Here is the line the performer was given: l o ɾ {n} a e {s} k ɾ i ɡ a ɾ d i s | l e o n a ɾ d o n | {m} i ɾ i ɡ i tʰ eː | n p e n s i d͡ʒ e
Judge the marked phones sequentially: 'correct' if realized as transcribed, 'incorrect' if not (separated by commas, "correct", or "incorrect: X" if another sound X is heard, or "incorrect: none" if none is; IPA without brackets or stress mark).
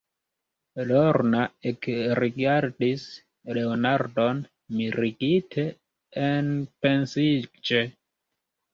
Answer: correct, incorrect: none, correct